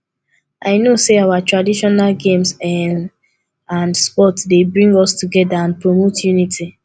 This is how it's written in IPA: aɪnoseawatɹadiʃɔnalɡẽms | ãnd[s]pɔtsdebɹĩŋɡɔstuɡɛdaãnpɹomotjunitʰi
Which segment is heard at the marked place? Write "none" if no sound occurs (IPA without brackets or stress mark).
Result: s